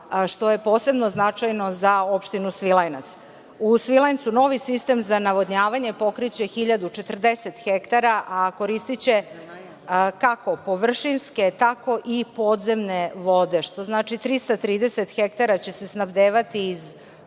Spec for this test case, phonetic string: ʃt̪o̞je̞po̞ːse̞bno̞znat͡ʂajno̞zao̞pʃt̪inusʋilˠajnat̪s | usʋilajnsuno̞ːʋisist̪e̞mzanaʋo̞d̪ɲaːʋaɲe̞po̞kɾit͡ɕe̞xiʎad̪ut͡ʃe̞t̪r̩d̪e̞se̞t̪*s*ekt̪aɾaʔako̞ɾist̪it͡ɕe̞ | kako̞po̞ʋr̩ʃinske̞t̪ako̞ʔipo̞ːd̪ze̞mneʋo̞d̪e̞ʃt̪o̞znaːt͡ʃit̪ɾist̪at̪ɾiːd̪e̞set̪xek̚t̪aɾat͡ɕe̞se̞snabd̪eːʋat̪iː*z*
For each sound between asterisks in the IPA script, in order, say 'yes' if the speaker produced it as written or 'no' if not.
no, yes

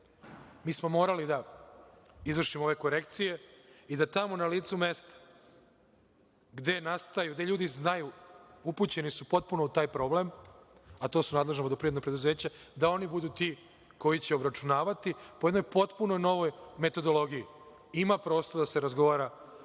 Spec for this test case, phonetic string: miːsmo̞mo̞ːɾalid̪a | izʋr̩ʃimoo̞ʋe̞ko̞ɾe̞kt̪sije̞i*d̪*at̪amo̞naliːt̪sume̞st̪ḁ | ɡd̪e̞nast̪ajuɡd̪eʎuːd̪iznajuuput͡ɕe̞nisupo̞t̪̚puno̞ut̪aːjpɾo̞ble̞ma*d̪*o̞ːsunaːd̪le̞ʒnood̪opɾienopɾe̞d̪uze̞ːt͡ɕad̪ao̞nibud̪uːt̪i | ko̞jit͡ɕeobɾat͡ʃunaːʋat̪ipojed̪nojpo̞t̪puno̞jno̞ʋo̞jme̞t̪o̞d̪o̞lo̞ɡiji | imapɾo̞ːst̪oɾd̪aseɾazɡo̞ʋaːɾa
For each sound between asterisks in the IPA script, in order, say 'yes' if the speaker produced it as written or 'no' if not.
yes, no

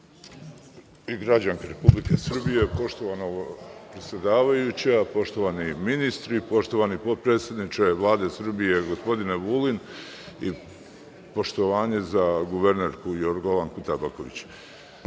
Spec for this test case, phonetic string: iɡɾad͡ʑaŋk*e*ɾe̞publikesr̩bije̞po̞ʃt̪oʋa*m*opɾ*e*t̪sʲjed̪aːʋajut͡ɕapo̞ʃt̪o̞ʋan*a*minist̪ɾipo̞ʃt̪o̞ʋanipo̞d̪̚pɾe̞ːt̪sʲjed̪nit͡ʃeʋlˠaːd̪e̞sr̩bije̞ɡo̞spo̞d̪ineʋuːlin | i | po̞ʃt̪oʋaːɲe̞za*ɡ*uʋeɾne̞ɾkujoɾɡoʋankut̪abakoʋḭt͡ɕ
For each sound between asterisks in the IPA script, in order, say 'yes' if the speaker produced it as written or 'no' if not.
no, no, yes, no, yes

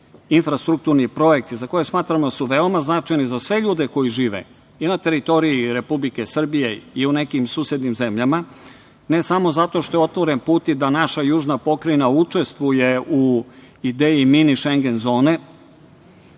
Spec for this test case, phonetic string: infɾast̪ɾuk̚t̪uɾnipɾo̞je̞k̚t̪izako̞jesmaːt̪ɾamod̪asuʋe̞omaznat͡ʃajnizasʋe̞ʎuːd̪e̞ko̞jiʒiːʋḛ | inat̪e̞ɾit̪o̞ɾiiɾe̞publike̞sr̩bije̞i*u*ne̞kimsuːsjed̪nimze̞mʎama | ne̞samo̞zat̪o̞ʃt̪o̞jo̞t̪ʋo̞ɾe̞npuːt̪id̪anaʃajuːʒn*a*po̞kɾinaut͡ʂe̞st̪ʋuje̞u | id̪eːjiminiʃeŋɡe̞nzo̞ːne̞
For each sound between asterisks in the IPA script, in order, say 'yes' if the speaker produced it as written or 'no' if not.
yes, yes

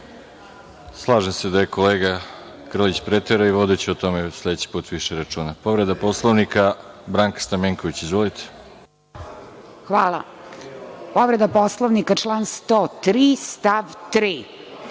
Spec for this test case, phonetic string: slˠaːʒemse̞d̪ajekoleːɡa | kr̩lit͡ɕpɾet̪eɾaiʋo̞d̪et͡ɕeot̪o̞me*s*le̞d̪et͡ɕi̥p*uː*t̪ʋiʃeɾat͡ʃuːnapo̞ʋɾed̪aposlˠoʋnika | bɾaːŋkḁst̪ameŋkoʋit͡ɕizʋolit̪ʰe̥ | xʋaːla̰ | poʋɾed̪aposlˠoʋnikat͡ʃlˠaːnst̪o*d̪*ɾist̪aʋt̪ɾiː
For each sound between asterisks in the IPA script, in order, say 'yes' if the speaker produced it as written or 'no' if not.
yes, yes, no

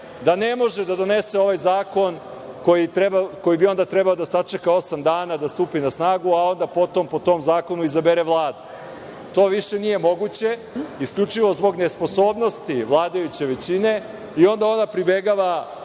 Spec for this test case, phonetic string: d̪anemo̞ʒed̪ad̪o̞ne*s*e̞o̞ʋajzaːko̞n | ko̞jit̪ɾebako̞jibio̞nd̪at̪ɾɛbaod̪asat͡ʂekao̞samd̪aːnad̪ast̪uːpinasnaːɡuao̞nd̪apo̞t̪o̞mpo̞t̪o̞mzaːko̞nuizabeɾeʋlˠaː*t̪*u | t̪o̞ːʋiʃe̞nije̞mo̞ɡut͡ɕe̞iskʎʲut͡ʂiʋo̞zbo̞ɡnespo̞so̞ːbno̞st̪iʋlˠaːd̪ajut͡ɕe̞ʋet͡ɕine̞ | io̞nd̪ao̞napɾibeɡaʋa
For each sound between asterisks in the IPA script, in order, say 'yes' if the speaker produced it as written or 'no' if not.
yes, no

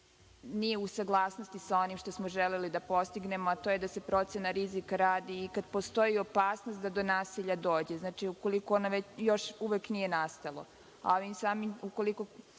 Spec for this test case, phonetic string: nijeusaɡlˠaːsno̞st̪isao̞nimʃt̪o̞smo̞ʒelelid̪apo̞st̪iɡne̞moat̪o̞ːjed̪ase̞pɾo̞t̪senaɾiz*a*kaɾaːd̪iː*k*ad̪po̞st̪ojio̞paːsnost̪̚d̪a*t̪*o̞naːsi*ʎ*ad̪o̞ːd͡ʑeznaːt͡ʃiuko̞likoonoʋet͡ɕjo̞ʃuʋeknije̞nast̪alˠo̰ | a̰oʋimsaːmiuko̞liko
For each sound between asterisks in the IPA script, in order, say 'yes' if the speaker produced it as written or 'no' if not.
no, yes, no, yes

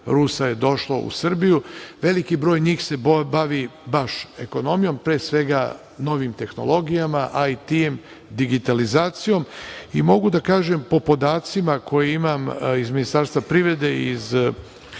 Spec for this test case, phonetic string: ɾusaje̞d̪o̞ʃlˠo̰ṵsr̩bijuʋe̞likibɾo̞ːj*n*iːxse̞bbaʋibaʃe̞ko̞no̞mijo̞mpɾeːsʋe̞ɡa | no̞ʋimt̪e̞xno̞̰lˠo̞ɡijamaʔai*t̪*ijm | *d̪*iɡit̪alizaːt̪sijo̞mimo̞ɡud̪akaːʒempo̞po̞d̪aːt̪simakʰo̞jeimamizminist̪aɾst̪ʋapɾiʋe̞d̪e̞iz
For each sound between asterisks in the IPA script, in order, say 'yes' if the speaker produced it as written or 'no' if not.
no, yes, yes

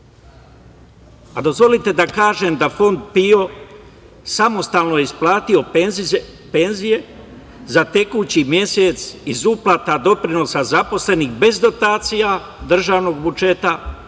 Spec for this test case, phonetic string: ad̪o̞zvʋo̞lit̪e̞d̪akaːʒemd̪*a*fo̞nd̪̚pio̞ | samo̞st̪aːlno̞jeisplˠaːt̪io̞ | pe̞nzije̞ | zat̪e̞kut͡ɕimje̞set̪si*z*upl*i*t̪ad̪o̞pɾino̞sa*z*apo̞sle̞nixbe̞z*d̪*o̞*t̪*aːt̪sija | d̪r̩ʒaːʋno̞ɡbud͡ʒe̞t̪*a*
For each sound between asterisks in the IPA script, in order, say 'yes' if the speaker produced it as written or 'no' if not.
yes, yes, no, yes, yes, yes, yes

